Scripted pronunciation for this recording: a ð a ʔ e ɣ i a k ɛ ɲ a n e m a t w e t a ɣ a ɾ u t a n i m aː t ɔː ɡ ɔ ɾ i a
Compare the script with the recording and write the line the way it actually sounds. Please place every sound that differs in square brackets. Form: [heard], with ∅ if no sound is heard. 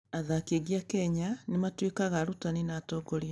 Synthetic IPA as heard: a ð a [k] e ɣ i a k ɛ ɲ a n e m a t w e [k] a ɣ a ɾ u t a n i [n] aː t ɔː ɡ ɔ ɾ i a

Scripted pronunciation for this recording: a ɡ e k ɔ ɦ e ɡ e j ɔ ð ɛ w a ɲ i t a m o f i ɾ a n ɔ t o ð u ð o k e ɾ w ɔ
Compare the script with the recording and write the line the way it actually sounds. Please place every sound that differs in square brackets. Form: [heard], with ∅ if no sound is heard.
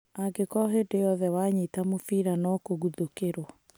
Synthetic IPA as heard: a ɡ e k ɔ ɦ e [d] e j ɔ ð ɛ w a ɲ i t a m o f i ɾ a n ɔ [k] o [ɣ] u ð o k e ɾ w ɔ

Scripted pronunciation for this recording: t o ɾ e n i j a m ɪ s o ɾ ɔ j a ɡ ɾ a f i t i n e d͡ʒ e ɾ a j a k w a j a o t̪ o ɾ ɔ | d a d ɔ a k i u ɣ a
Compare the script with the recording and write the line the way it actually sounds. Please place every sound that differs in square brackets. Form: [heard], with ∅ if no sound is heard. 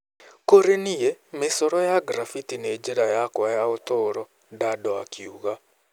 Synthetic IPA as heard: [k] o ɾ e n i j [e] m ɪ s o ɾ ɔ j a ɡ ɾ a f i t i n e d͡ʒ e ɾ a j a k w a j a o t̪ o ɾ ɔ | d a d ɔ a k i u ɣ a

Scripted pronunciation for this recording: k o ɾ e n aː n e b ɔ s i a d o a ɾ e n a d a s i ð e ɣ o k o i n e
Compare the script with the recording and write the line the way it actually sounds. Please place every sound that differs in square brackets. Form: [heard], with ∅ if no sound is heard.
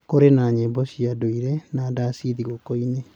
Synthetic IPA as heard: k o ɾ e n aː [ɲ] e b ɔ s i a d o [i] ɾ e n a d a s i ð [i] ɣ o k o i n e

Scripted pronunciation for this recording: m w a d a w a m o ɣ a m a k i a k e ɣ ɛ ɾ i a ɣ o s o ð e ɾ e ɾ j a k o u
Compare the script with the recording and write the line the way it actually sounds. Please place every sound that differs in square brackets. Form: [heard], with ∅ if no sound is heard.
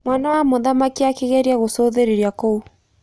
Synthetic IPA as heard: m w a [n] a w a m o [ð] a m a k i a k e ɣ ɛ ɾ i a ɣ o s o ð e ɾ e ɾ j a k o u

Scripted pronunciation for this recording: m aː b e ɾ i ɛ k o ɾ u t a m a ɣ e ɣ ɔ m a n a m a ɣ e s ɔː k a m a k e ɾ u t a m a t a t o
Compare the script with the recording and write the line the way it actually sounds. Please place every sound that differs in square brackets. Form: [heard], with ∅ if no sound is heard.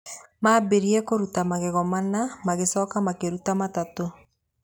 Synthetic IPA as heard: m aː b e ɾ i ɛ k o ɾ u t a m a ɣ e ɣ ɔ m a n a m a ɣ e s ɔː k a m a k e ɾ u t a m a t a t o

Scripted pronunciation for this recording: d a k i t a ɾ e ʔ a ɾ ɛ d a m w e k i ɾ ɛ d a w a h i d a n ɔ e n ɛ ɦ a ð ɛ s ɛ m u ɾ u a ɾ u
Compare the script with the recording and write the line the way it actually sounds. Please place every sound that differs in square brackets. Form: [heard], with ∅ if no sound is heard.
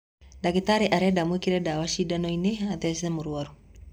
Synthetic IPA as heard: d a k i t a ɾ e ʔ a ɾ ɛ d a m w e k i ɾ ɛ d a w a [ʃ] i d a n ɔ [i] n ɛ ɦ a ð ɛ s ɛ m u ɾ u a ɾ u

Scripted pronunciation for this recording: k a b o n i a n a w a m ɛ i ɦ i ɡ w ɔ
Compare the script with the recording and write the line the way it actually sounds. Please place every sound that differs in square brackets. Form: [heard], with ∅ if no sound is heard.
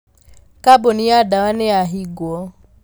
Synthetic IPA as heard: k a b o n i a [d] a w a [n] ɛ [a] ɦ i ɡ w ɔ

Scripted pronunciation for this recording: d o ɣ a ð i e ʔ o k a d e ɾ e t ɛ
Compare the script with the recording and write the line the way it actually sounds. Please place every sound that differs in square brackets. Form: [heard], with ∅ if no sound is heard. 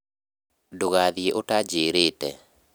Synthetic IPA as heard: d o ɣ a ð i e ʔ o [t] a [d͡ʒ] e ɾ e t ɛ

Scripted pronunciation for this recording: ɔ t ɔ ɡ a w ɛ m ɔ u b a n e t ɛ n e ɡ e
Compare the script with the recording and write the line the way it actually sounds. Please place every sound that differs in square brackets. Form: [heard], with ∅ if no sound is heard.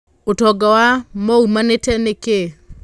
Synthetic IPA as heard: [o] t ɔ ɡ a w [a] m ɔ u [m] a n e t ɛ n e [k] e

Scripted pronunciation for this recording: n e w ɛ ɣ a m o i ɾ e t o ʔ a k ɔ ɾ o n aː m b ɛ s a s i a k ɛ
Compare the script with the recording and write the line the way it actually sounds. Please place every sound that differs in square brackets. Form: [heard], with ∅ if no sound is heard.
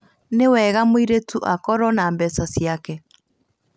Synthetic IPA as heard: n e w ɛ ɣ a m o i ɾ e t [u] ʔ a k ɔ ɾ [ɔ] n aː m b ɛ s a s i a k ɛ

